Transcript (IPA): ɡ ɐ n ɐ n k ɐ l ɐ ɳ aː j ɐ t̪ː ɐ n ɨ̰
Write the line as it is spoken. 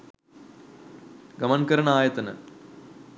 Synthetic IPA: ɡ ɐ m ɐ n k ɐ ɾ ɐ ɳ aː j ɐ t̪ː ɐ n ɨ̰